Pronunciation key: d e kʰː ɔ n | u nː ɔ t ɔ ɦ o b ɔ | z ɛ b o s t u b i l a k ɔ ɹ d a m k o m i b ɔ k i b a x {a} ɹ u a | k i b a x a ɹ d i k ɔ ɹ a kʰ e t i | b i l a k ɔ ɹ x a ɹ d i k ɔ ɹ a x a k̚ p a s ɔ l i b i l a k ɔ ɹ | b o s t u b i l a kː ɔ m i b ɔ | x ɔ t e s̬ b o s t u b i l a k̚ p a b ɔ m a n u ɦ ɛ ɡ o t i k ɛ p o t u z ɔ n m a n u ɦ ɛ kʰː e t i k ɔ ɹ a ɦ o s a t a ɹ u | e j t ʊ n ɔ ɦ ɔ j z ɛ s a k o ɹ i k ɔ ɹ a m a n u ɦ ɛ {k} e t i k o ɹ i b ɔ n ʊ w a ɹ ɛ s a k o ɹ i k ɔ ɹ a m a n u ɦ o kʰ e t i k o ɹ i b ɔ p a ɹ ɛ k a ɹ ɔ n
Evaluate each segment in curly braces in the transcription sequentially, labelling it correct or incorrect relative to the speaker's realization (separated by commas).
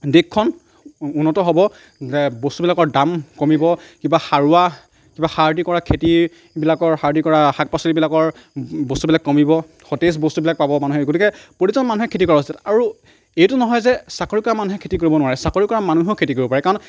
correct, incorrect